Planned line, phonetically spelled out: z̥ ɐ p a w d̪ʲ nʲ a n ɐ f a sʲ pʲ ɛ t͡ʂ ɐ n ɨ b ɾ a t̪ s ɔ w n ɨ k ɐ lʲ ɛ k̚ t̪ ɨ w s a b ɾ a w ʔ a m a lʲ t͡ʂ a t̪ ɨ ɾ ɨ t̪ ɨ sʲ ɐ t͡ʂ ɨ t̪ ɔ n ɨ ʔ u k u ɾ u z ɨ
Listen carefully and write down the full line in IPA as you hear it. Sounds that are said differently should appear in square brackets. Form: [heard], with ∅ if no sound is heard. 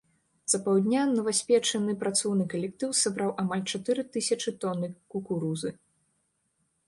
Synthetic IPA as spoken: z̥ ɐ p a w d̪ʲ nʲ a n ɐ [v] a sʲ pʲ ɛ t͡ʂ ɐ n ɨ [p] ɾ a t̪ s ɔ w n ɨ k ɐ lʲ ɛ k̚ t̪ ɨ w s a b ɾ a w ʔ a m a lʲ t͡ʂ a t̪ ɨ ɾ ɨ t̪ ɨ sʲ ɐ t͡ʂ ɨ t̪ ɔ n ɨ [k] u k u ɾ u z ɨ